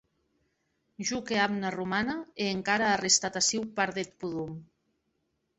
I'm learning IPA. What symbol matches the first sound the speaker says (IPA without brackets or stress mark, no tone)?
ʒ